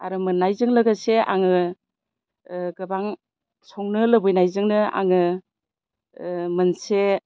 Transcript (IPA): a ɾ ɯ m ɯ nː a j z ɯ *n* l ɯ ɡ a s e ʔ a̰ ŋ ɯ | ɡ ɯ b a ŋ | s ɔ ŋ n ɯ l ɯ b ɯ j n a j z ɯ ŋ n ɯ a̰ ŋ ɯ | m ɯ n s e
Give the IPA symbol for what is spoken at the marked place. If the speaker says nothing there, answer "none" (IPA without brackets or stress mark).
ŋ